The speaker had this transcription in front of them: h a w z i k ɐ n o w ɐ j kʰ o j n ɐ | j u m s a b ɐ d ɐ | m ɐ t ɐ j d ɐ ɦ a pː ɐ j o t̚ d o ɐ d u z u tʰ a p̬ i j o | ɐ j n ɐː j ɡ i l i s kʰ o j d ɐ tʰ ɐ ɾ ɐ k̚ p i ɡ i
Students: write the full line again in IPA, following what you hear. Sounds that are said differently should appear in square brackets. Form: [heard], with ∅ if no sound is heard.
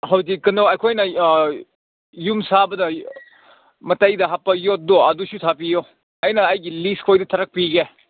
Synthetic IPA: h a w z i k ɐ n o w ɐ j kʰ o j n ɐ | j u m s a b ɐ d ɐ | m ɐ t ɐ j d ɐ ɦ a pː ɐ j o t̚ d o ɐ d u [s] u tʰ a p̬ i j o | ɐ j n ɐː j ɡ i l i s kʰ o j d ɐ tʰ ɐ ɾ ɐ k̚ p i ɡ [e]